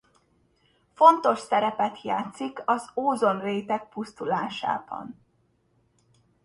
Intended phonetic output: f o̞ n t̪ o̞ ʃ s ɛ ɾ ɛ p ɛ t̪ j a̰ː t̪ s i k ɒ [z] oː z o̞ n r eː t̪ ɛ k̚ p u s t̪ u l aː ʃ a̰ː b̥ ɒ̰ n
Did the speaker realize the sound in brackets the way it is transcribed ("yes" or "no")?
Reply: yes